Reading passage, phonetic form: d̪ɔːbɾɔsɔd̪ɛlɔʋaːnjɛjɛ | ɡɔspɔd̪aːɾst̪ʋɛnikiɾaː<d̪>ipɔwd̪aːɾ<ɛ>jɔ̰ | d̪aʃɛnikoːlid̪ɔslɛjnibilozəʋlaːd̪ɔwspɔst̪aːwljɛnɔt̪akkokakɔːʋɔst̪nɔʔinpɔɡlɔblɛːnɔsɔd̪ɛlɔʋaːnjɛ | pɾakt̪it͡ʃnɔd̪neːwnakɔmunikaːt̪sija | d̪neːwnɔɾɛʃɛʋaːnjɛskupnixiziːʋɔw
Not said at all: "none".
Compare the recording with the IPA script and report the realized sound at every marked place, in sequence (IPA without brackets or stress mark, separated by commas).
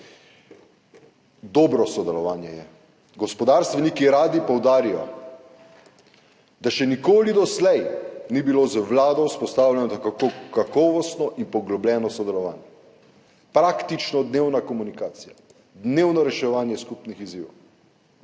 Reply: d̪, i